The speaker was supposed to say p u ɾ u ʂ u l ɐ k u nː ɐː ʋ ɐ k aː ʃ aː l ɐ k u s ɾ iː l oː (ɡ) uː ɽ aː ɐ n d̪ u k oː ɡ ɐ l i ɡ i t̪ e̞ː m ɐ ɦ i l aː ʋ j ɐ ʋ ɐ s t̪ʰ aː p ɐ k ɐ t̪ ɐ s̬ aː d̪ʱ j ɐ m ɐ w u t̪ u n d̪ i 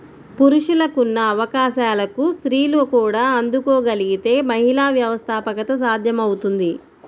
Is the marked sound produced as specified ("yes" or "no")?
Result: no